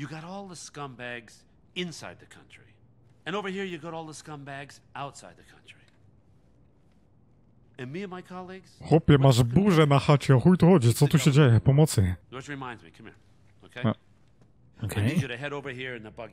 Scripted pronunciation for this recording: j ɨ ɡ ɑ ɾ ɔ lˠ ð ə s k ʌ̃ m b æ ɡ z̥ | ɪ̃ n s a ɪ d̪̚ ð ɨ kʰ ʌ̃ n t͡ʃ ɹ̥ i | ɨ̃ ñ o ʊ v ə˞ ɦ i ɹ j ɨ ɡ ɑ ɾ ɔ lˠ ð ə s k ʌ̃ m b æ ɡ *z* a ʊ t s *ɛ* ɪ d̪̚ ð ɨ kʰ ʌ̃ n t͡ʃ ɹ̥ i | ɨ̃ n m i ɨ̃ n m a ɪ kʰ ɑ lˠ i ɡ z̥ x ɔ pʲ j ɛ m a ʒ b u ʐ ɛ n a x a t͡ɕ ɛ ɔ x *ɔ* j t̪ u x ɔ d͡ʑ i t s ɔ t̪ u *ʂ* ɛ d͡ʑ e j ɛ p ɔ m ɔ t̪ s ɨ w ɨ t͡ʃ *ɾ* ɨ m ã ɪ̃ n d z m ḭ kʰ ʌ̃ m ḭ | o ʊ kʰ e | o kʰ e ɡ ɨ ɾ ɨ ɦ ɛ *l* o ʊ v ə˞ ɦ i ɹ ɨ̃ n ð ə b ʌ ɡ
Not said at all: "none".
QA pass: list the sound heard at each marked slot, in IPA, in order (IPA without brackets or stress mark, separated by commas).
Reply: z, a, u, ɕ, ɹ, ɾ